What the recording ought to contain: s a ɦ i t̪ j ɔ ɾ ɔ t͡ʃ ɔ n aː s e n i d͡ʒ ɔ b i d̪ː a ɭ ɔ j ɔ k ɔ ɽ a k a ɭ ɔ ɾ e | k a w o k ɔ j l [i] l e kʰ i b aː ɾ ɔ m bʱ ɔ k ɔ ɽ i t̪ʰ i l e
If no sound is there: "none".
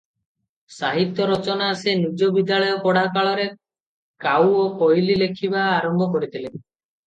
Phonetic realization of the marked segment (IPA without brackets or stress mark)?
i